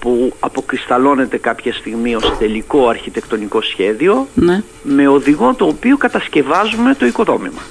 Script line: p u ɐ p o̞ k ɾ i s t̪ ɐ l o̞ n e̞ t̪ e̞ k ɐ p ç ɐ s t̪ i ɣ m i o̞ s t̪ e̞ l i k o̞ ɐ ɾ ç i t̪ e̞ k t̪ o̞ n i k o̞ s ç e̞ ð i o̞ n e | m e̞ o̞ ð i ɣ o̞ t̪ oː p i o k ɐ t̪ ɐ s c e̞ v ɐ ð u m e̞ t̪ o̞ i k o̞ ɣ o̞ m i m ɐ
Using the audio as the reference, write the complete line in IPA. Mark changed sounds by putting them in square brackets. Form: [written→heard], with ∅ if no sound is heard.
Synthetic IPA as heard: p u ɐ p o̞ k ɾ i s t̪ ɐ l o̞ n e̞ t̪ e̞ k ɐ p ç ɐ s t̪ i ɣ m i o̞ s t̪ e̞ l i k o̞ ɐ ɾ ç i t̪ e̞ k t̪ o̞ n i k o̞ s ç e̞ ð i o̞ n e | m e̞ o̞ ð i ɣ o̞ t̪ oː p i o k ɐ t̪ ɐ s c e̞ v ɐ [ð→z] u m e̞ t̪ o̞ i k o̞ [ɣ→ð] o̞ m i m ɐ